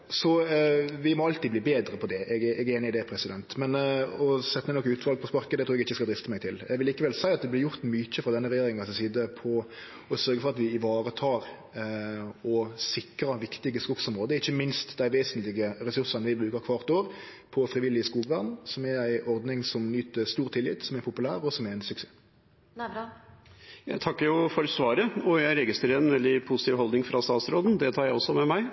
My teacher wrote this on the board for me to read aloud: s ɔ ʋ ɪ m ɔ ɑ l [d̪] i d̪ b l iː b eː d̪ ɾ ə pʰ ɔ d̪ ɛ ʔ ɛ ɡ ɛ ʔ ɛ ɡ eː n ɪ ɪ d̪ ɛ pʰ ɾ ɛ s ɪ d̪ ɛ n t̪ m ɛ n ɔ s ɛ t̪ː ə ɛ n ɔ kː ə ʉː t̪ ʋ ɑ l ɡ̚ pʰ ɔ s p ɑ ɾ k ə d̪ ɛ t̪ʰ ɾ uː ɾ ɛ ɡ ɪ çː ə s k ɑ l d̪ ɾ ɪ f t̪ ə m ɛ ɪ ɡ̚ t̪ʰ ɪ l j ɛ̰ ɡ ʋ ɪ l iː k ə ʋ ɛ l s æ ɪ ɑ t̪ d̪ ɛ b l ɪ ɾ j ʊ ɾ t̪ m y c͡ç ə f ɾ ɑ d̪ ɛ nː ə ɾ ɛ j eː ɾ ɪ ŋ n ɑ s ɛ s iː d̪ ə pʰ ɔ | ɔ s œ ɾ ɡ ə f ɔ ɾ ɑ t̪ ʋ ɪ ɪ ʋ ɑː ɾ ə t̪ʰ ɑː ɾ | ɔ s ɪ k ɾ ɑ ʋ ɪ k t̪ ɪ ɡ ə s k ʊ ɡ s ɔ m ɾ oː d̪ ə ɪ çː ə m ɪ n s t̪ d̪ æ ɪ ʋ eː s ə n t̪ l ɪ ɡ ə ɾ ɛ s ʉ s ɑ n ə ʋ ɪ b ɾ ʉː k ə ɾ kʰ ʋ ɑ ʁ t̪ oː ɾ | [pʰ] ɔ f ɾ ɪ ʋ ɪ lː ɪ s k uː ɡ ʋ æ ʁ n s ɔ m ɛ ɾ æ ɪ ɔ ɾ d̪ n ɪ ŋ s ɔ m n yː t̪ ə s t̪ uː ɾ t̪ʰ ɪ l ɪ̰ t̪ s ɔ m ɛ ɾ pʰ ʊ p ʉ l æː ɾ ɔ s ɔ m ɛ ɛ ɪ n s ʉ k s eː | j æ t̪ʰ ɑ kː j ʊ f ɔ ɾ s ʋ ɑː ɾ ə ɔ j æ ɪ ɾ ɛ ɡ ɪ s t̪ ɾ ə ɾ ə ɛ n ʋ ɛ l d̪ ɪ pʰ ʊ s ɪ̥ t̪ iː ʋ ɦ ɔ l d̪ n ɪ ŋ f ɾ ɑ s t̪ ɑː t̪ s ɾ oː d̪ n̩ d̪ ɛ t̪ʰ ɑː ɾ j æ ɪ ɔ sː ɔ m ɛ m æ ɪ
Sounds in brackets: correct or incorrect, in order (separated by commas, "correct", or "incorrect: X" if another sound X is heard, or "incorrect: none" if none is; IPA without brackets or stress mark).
incorrect: t̪, correct